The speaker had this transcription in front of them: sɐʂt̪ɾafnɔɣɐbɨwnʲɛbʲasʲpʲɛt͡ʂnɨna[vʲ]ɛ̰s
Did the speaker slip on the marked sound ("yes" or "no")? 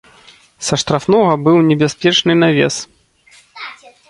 no